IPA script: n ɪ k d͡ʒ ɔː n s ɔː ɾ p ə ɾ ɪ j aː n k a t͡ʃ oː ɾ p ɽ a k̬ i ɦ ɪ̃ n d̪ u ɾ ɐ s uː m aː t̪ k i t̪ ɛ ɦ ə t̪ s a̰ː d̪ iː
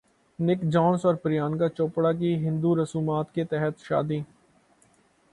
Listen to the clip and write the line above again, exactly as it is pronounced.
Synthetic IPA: n ɪ k d͡ʒ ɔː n s ɔː ɾ p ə ɾ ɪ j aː n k a t͡ʃ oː p ɽ a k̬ i ɦ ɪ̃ n d̪ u ɾ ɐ s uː m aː t̪ k e t̪ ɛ ɦ ə t̪ ʃ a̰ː d̪ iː